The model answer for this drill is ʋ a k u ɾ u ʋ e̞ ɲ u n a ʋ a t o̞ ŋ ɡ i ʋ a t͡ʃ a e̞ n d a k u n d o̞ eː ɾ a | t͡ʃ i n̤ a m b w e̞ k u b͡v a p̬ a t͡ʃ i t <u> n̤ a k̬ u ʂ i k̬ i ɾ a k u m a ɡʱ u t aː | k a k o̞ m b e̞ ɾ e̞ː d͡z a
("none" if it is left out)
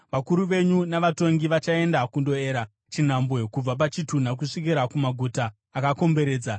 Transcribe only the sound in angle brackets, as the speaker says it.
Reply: u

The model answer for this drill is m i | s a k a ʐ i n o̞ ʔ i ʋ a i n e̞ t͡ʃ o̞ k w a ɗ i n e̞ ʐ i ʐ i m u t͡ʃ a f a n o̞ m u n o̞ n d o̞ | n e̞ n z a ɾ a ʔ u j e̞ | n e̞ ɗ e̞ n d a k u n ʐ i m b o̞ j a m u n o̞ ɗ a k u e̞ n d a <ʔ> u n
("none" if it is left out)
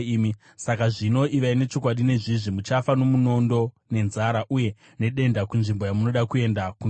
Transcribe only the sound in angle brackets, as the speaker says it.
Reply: k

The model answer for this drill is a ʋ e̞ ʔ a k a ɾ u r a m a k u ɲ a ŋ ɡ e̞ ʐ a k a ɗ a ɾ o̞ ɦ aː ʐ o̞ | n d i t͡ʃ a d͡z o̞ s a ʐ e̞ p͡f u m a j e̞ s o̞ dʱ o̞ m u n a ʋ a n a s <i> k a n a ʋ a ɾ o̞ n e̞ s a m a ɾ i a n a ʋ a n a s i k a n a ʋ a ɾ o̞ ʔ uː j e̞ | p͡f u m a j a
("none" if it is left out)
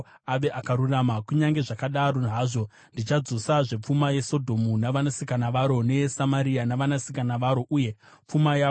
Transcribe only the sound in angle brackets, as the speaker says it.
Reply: i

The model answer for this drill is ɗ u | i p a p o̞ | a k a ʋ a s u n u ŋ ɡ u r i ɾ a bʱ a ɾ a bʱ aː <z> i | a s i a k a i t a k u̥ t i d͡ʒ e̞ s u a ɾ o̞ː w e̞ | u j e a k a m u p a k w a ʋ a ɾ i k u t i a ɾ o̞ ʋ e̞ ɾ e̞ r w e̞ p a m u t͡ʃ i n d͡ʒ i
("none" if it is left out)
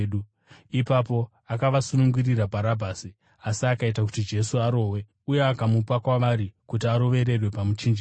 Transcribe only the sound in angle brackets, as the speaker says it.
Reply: s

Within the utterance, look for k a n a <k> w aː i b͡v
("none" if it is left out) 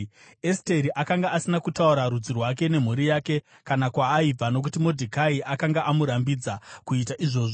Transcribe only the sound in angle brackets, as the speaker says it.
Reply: k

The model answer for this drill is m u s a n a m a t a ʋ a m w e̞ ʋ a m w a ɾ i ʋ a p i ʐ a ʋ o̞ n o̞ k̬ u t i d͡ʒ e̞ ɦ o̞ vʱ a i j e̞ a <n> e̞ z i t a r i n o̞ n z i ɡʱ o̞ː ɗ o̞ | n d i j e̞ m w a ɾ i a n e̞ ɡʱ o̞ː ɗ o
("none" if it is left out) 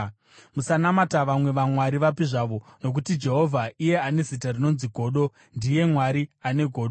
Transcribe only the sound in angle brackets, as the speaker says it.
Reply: n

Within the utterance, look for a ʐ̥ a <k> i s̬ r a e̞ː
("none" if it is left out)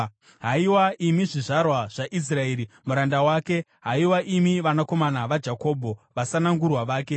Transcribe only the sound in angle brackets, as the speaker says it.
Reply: ʔ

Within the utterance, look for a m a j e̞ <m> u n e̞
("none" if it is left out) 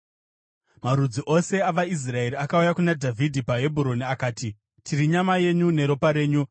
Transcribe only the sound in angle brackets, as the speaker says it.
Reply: ɲ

